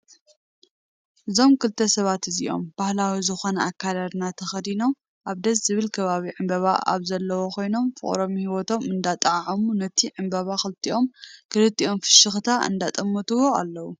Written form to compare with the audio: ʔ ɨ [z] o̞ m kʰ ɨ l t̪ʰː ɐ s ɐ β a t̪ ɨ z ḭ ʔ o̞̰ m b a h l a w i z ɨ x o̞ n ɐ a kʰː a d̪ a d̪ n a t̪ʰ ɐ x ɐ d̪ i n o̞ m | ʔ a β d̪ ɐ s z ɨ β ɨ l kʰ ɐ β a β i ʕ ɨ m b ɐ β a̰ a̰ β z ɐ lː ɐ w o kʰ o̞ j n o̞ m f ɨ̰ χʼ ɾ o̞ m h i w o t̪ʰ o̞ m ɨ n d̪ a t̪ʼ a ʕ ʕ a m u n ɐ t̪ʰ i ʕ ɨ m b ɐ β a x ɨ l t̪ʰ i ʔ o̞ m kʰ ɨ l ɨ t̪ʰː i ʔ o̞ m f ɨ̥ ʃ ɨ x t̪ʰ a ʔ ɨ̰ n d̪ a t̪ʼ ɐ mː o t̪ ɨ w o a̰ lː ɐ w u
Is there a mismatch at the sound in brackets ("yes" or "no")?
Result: no